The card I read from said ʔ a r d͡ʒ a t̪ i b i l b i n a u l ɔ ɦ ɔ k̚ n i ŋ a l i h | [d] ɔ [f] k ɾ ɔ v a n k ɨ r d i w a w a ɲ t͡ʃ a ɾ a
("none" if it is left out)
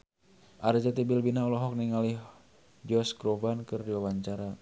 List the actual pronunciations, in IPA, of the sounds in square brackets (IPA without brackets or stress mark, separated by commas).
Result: d͡ʒ, s